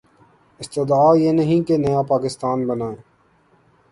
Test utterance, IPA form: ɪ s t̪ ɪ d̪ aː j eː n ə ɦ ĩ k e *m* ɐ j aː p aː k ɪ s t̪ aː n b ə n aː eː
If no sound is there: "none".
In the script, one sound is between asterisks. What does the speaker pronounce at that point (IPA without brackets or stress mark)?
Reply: n